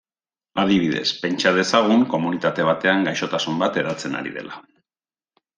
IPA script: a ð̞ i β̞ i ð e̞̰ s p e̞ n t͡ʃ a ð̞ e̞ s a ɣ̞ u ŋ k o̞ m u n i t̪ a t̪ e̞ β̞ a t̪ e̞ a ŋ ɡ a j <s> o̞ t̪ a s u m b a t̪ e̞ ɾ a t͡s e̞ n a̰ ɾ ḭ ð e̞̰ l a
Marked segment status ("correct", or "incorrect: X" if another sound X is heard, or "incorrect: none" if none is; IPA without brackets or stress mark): incorrect: ʃ